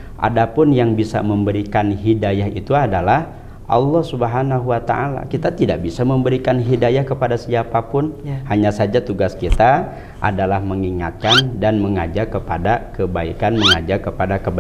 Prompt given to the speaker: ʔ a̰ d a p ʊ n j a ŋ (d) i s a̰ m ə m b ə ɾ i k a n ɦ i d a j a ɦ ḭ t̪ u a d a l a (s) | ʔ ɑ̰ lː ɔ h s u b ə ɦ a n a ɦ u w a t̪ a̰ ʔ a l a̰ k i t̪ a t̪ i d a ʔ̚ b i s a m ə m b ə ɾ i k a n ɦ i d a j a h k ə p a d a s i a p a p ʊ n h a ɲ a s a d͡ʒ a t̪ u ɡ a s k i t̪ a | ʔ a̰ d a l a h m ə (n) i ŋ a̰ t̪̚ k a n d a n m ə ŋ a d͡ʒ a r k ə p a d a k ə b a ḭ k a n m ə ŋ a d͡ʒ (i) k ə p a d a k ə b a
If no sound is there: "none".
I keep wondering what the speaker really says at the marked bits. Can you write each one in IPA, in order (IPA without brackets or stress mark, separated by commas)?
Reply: b, h, ŋ, a